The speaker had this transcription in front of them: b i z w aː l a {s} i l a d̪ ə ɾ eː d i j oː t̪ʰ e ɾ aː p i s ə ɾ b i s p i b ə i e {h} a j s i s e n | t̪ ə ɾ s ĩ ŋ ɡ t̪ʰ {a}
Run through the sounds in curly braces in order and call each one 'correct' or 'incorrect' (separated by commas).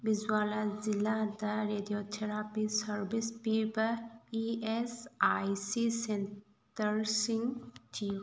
incorrect, incorrect, incorrect